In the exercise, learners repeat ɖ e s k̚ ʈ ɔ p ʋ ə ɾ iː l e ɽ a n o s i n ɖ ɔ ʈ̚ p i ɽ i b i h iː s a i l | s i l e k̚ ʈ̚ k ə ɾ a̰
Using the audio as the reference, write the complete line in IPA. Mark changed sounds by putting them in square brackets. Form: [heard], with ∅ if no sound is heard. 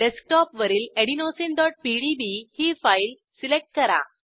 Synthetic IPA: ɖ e s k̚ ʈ ɔ p ʋ ə ɾ iː l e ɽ [i] n o s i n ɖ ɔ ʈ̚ p i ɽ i b i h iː [f] a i l | s i l e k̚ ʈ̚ k ə ɾ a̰